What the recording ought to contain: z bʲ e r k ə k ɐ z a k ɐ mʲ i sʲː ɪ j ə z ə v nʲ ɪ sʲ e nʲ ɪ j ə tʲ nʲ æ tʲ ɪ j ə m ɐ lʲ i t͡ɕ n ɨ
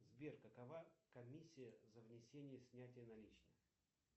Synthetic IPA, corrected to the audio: z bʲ e r k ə k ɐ v a k ɐ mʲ i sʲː ɪ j ə z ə v nʲ ɪ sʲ e nʲ ɪ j ə sʲ nʲ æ tʲ ɪ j ə n ɐ lʲ i t͡ɕ n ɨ